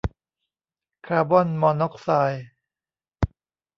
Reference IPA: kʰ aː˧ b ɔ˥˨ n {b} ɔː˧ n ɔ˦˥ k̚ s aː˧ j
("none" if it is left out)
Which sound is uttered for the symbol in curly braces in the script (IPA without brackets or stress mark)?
m